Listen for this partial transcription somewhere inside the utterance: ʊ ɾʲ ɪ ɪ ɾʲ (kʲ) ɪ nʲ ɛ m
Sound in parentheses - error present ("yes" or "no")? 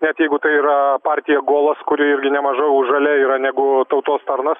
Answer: yes